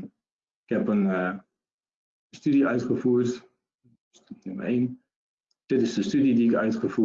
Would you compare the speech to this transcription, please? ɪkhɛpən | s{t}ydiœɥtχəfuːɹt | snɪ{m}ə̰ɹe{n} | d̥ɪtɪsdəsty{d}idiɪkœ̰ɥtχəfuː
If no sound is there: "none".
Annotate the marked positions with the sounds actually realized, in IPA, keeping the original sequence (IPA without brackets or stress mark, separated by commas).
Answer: t, m, n, d